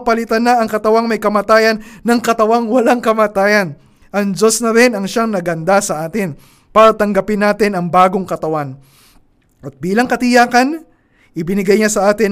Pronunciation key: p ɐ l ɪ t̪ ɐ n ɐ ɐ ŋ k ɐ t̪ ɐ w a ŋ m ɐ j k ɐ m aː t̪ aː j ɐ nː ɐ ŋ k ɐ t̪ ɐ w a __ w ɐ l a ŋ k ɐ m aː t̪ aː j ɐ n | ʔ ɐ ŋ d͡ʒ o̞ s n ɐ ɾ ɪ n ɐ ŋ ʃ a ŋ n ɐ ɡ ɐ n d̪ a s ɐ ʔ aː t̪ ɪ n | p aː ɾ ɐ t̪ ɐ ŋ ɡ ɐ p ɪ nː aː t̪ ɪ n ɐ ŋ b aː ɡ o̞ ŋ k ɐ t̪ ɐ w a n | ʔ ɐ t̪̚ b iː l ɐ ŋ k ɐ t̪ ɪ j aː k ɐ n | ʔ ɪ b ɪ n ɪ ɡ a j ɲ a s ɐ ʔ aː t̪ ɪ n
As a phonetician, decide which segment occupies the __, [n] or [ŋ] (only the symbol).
ŋ